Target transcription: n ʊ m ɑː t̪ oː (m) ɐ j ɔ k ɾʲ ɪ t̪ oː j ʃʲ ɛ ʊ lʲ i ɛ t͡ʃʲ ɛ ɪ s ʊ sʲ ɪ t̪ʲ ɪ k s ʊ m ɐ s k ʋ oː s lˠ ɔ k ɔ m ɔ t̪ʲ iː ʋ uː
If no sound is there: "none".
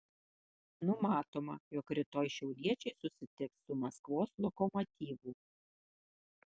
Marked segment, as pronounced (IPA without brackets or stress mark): m